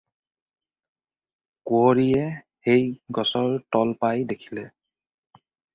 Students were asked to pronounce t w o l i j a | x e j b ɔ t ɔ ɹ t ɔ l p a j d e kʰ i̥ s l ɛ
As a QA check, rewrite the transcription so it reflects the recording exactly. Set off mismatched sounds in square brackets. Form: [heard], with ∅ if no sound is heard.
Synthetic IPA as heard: [k] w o [ɹ] i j [ɛ] | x e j [ɡ] ɔ [s] ɔ ɹ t ɔ l p a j d e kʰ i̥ [∅] l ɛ